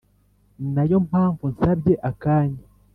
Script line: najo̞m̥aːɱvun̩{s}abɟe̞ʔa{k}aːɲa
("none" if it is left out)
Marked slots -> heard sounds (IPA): s, k

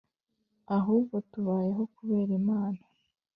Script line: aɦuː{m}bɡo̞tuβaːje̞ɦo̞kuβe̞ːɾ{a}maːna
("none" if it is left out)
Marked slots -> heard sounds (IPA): none, i

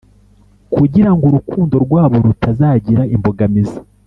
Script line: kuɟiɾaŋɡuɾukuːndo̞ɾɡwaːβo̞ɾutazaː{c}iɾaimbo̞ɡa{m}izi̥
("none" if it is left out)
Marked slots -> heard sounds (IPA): ɟ, m

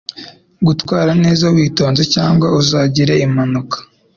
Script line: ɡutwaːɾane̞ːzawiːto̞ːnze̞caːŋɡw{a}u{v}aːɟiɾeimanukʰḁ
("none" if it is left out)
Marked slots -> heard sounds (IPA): a, z

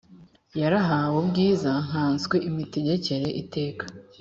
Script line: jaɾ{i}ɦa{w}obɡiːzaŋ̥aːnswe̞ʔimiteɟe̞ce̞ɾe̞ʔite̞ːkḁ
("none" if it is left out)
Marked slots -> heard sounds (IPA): a, w

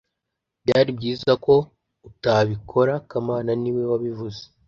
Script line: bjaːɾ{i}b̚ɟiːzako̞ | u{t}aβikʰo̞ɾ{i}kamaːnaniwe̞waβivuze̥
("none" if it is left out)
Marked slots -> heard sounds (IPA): i, t, a

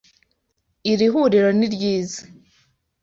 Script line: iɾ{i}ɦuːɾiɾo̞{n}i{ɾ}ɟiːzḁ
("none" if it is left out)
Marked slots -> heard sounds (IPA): i, n, ɾ

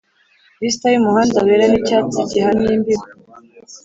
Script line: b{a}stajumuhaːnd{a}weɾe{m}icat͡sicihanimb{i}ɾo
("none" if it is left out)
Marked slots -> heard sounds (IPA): i, a, n, i

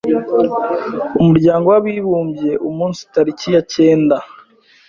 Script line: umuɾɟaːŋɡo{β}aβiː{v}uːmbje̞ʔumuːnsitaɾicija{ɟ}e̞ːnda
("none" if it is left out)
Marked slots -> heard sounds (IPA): w, β, c

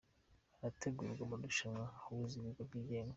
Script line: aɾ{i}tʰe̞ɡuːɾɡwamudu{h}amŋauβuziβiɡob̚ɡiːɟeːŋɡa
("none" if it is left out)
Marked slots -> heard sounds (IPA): a, ʃ

